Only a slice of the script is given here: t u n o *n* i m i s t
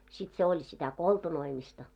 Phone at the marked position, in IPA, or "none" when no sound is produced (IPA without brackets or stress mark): none